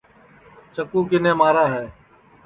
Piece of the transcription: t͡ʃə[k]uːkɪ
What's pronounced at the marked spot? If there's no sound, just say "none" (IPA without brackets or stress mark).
k